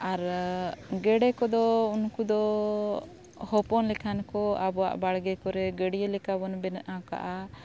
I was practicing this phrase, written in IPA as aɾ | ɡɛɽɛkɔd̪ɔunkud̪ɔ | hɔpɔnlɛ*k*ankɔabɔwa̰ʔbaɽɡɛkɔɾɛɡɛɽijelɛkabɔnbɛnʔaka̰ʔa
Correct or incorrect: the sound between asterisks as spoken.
incorrect: kʰ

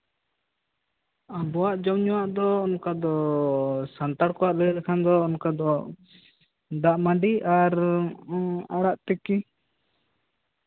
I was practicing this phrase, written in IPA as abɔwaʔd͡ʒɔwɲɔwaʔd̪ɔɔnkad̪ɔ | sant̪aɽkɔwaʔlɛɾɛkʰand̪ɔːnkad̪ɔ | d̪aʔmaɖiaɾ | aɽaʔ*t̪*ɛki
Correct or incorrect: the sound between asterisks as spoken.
correct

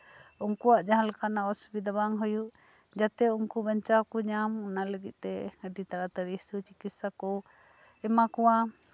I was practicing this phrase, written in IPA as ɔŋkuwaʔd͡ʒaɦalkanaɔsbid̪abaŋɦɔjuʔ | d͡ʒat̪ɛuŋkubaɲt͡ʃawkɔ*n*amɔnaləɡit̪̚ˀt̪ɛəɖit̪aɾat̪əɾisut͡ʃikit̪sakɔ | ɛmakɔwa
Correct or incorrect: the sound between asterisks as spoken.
incorrect: ɲ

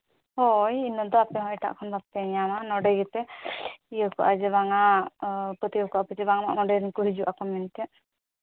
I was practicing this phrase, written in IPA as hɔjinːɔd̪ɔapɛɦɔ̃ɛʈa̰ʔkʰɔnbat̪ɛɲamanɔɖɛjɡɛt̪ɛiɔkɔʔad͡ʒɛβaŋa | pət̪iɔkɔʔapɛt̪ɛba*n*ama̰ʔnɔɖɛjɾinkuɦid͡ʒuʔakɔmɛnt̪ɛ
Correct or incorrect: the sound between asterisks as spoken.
incorrect: ŋ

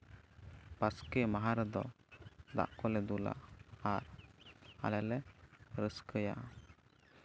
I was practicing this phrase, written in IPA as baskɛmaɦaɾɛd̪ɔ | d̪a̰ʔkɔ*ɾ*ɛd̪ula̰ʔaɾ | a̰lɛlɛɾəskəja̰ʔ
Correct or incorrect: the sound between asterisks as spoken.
incorrect: l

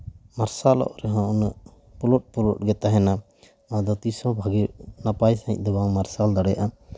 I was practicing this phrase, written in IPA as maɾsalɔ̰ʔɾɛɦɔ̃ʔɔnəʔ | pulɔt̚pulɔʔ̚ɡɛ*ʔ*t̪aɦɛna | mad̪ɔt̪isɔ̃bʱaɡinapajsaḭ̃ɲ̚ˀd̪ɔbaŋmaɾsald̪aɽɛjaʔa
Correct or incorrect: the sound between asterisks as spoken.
incorrect: none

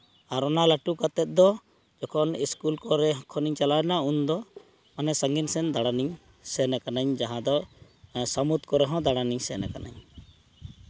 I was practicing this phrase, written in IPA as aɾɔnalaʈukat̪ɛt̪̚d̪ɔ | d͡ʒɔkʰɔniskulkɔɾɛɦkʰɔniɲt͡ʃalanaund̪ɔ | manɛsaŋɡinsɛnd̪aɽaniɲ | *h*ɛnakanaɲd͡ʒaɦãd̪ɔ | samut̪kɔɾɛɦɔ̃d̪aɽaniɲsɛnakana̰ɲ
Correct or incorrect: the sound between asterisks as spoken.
incorrect: s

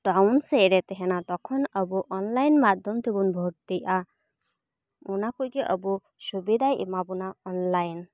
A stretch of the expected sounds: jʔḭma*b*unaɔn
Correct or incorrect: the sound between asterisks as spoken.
correct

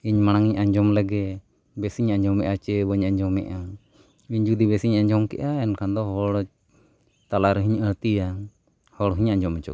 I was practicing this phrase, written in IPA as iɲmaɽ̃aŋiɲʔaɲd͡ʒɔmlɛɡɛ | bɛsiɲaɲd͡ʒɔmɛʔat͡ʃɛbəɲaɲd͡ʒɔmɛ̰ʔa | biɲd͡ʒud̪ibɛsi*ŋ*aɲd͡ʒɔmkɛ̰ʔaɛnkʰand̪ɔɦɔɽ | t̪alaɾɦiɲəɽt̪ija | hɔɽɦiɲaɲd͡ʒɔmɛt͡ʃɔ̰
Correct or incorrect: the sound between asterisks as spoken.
incorrect: ɲ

